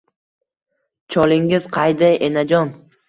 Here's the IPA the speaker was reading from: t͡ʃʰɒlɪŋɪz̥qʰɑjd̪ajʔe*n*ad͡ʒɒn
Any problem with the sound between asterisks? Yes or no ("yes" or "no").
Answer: no